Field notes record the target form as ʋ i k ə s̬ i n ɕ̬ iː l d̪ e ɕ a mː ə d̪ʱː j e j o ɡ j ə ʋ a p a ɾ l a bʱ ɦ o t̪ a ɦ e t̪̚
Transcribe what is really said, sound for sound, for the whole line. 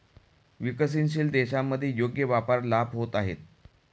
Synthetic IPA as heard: ʋ i k ə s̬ i n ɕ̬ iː l d̪ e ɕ a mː ə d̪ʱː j e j o ɡ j ə ʋ a p a ɾ l a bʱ ɦ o t̪ a ɦ e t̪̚

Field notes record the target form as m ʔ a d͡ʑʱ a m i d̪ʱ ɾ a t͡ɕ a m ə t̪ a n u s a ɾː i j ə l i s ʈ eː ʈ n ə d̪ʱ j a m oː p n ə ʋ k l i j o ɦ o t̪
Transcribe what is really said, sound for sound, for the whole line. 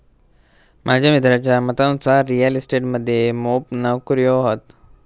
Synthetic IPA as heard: m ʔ a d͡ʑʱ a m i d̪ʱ ɾ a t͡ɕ a m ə t̪ a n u s a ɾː i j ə l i s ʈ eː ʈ m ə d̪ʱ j e m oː p n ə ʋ k ɾ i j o ɦ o t̪

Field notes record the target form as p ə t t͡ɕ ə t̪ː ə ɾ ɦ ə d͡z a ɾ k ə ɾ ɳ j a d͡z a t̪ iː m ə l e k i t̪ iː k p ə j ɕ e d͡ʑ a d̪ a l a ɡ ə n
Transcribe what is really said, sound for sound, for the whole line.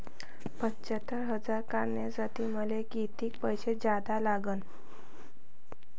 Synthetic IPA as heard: p ə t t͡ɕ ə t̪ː ə ɾ ɦ ə d͡z a ɾ k a ɾ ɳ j a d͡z a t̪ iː m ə l e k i t̪ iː k p ə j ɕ e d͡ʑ a d̪ a l a ɡ ə n

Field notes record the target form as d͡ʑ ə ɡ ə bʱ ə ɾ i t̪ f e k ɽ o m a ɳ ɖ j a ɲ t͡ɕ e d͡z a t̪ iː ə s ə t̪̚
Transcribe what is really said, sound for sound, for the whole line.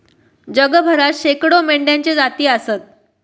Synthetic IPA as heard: d͡ʑ ə ɡ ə bʱ ə ɾ a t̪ ɕ e k ɽ o m e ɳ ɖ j a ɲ t͡ɕ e d͡z a t̪ iː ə s ə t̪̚

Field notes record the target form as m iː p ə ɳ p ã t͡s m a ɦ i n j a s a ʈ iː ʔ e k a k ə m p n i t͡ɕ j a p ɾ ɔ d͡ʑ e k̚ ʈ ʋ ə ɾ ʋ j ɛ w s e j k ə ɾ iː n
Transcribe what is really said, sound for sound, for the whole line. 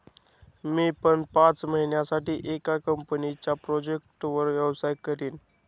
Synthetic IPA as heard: m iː p ə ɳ p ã t͡s m ə ɦ i n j a s a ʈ iː ʔ e k a k ə m p n i t͡ɕ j a p ɾ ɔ d͡ʑ e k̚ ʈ ʋ ə ɾ ʋ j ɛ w s a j k ə ɾ iː n

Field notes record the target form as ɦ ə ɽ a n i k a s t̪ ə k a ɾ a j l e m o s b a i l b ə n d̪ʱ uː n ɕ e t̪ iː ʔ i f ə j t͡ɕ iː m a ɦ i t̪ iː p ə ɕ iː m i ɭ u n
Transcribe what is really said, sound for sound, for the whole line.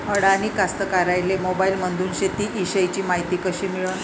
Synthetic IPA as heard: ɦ ə ɽ a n i k a s t̪ ə k a ɾ a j l e m o b a i l m ə n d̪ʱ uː n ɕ e t̪ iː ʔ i ɕ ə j t͡ɕ iː m a ɦ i t̪ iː k ə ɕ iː m i ɭ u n

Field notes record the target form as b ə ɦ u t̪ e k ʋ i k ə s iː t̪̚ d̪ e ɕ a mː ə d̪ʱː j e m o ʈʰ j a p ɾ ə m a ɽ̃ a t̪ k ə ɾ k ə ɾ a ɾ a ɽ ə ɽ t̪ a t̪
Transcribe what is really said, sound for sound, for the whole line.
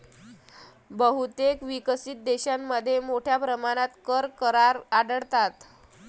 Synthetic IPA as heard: b ə ɦ u t̪ e k ʋ i k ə s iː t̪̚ d̪ e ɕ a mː ə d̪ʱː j e m o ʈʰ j a p ɾ ə m a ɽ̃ a t̪ k ə ɾ k ə ɾ a ɾ a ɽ ə ɽ t̪ a t̪

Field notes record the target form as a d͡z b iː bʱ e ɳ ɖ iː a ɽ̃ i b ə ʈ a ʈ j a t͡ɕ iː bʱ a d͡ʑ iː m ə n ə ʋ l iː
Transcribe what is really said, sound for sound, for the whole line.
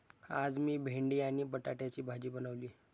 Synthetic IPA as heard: a d͡z m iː bʱ e ɳ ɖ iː a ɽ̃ i b ə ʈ a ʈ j a t͡ɕ iː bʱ a d͡ʑ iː b ə n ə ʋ l iː

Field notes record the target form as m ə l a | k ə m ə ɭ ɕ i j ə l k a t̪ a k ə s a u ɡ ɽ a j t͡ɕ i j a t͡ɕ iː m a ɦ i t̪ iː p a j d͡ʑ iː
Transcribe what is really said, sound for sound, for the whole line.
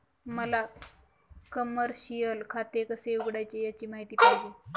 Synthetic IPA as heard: m ə l a | k ə m ə ɾ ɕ i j ə l kʰ a t̪ e k ə s e u ɡ ɽ a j t͡ɕ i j a t͡ɕ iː m a ɦ i t̪ iː p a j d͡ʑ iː

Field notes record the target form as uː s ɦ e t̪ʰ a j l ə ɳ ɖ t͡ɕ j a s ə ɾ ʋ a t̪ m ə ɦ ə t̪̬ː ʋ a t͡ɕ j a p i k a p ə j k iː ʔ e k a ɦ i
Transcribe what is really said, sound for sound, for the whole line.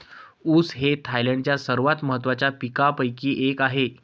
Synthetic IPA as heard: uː s ɦ e t̪ʰ a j l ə ɳ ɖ t͡ɕ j a s ə ɾ ʋ a t̪ m ə ɦ ə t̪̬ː ʋ a t͡ɕ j a p i k a p ə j k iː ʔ e k a ɦ e

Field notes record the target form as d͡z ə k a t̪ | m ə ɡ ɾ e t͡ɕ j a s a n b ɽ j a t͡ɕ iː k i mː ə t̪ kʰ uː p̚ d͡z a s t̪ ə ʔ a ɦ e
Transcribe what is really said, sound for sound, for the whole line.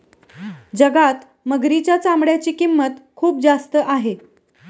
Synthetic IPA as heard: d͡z ə ɡ a t̪ | m ə ɡ ɾ i t͡ɕ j a t͡s a m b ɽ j a t͡ɕ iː k i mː ə t̪ kʰ uː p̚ d͡z a s t̪ ə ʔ a ɦ e

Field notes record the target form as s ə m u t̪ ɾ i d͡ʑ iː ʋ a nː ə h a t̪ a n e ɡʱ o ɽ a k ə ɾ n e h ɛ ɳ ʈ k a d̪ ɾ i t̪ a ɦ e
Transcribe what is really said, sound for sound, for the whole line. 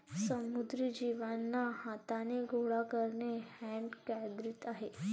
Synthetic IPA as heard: s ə m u d̪ ɾ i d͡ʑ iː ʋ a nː a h a t̪ a n e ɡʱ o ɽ a k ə ɾ n e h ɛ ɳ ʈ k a d̪ ɾ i t̪ a ɦ e

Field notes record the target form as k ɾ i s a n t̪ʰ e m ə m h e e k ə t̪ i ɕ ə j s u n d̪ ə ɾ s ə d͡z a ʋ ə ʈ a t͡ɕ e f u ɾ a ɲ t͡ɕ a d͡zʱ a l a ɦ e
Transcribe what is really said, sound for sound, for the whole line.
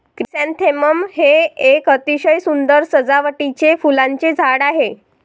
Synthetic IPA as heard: k ɾ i s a n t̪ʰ e m ə m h e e k ə t̪ i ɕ ə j s u n d̪ ə ɾ s ə d͡z a ʋ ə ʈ i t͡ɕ e f u l a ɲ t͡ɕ e d͡zʱ a ɽ a ɦ e

